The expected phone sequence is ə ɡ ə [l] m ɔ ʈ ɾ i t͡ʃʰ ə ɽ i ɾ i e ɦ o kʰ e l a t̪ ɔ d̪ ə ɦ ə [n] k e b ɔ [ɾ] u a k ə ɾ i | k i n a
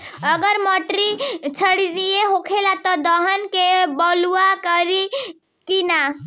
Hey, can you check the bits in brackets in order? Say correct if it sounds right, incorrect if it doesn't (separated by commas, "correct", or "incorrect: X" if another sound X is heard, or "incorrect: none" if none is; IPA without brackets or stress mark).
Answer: incorrect: ɾ, correct, incorrect: l